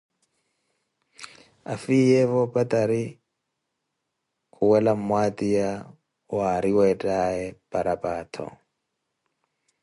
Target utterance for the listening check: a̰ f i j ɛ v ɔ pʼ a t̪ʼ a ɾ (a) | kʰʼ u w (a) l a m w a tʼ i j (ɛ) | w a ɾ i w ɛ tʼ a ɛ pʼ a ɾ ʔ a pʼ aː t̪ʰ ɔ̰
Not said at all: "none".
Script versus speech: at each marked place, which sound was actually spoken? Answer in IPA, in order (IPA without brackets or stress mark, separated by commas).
i, ɛ, a